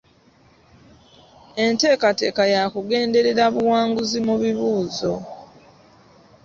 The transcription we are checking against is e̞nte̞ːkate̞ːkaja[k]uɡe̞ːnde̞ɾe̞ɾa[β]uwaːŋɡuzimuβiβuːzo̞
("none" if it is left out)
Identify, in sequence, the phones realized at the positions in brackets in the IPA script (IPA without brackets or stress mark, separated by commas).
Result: k, β